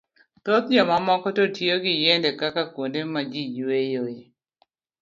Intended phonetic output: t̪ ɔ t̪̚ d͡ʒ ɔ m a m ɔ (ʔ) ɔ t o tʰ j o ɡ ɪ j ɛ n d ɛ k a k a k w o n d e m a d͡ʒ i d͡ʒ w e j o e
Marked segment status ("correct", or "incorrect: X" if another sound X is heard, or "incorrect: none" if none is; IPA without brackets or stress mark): incorrect: k